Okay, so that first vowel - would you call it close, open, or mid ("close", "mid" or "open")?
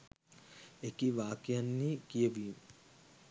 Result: mid